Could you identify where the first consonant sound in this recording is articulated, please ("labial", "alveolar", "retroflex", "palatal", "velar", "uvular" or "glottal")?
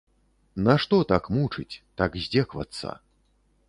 alveolar